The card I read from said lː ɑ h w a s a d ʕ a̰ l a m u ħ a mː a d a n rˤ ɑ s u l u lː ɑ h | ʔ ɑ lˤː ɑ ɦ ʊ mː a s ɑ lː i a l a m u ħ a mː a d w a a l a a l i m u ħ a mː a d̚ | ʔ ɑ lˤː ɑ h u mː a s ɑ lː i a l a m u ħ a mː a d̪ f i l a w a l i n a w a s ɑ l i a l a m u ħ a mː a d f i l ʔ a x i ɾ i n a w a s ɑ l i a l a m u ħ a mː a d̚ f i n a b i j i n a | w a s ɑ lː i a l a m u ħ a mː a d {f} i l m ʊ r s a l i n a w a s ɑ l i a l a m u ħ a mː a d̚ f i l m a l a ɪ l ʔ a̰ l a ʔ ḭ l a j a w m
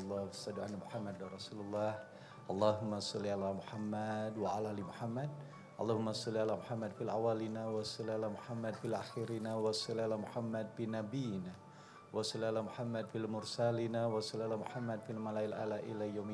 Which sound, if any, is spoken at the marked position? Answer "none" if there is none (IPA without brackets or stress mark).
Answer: f